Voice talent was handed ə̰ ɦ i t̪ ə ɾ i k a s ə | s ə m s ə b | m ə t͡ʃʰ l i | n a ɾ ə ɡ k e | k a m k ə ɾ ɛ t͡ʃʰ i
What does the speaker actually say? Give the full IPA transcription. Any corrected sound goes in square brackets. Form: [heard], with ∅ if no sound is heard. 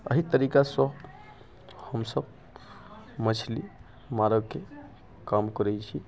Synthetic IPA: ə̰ ɦ i t̪ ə ɾ i k a s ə | [h] ə m s ə b | m ə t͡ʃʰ l i | [m] a ɾ ə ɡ k e | k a m k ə ɾ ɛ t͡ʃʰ i